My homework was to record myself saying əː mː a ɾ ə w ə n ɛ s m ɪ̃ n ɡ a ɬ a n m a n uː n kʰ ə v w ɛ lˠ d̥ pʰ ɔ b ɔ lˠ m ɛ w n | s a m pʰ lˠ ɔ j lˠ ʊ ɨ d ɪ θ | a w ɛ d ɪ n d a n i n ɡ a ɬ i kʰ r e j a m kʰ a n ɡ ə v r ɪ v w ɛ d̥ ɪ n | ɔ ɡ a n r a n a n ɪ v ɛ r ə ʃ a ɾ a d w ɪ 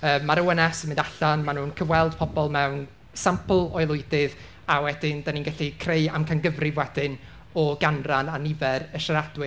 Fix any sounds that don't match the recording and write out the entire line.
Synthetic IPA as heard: əː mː a ɾ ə w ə n ɛ s m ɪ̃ n d a ɬ a n m a n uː n kʰ ə v w ɛ lˠ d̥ pʰ ɔ b ɔ lˠ m ɛ w n | s a m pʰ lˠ ɔ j lˠ ʊ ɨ d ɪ ð | a w ɛ d ɪ n d a n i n ɡ a ɬ i kʰ r e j a m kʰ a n ɡ ə v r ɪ v w ɛ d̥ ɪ n | ɔ ɡ a n r a n a n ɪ v ɛ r ə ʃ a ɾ a d w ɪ